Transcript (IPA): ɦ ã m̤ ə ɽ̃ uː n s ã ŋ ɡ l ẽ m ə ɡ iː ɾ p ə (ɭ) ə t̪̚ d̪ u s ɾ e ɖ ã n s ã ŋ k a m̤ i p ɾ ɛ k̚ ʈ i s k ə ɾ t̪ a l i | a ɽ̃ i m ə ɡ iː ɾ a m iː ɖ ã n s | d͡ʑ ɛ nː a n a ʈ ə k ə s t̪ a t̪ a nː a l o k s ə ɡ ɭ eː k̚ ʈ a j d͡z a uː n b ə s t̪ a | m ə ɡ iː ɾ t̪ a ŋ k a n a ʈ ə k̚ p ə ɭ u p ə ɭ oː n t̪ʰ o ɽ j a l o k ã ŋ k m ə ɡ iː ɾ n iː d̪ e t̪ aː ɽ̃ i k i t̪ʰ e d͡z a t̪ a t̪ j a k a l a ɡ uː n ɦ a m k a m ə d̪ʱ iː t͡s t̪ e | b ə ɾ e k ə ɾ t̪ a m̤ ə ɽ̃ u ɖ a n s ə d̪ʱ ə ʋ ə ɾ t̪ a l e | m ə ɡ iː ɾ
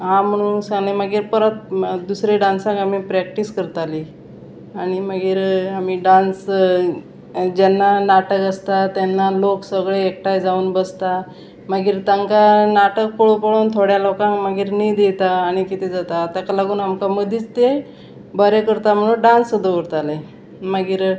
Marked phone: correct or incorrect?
incorrect